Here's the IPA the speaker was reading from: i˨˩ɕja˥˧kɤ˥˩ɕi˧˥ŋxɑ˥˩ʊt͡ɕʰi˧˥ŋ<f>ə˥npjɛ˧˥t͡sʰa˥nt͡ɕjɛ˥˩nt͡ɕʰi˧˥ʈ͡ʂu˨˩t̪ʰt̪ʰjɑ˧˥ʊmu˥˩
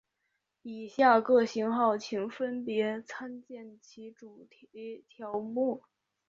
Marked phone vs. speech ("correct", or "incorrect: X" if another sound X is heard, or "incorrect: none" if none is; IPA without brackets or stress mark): correct